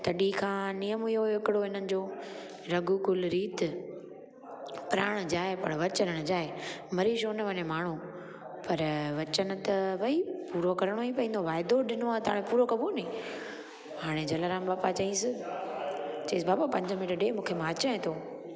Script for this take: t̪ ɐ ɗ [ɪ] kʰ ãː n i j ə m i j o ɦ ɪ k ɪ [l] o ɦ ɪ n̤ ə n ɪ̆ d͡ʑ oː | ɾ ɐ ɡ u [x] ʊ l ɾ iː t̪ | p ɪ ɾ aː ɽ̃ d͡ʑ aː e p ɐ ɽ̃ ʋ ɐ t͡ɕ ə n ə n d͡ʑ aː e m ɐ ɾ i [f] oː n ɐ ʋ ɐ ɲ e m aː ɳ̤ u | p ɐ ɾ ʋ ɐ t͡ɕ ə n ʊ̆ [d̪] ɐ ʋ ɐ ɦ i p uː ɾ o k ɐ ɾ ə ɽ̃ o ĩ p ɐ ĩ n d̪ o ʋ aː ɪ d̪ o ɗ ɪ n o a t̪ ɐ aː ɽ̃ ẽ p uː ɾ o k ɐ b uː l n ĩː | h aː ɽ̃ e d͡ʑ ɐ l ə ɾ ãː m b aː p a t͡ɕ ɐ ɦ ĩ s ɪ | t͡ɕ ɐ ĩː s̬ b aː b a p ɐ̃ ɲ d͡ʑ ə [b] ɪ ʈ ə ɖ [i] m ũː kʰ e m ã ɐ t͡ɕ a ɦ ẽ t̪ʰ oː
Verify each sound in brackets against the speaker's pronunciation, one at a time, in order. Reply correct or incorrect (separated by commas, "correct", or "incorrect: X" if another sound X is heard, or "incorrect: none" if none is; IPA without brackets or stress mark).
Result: incorrect: i, incorrect: ɽ, incorrect: k, incorrect: ʃ, incorrect: t̪, incorrect: m, incorrect: e